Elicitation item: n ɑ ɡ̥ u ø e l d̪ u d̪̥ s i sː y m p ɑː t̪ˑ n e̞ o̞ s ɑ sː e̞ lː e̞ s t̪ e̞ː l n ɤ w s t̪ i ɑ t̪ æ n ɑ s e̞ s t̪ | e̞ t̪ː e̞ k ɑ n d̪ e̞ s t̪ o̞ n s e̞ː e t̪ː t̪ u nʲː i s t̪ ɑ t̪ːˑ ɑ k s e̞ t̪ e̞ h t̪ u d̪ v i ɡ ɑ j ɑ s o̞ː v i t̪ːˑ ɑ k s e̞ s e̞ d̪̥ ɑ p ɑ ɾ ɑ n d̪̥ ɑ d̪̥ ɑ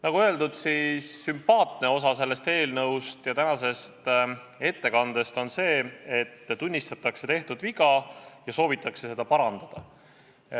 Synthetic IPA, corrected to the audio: n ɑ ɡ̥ u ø e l d̪ u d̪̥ s i sː y m p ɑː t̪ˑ n e̞ o̞ s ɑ s e̞ lː e̞ s t̪ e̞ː l n ɤ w s t̪ j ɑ t̪ æ n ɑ s e̞ s t̪ | e̞ t̪ː e̞ k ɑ n d̪ e̞ s t̪ o̞ n s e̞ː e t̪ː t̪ u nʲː i s t̪ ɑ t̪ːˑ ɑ k s e̞ t̪ e̞ h t̪ u d̪ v i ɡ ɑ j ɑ s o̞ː v i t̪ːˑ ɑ k s e̞ s e̞ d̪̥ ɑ p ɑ ɾ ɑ n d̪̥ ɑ d̪̥ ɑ